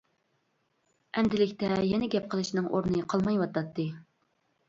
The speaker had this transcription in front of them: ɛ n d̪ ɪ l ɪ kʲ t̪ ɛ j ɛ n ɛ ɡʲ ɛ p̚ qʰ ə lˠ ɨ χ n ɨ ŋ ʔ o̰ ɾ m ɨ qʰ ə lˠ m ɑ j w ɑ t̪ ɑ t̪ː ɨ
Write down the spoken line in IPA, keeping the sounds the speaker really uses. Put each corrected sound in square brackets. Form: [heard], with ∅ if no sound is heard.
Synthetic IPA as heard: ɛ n d̪ ɪ l ɪ kʲ t̪ ɛ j ɛ n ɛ ɡʲ ɛ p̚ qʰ ə lˠ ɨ [ʃ] n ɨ ŋ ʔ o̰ ɾ [n] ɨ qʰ [ɑ] lˠ m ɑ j w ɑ t̪ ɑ t̪ː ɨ